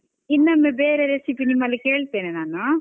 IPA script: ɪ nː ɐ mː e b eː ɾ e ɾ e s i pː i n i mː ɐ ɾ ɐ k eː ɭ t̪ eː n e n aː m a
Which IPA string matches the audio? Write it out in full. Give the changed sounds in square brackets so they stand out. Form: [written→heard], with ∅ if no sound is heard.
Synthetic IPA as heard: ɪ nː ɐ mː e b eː ɾ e ɾ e s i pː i n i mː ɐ [ɾ→l] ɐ k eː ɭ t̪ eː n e n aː [m→n] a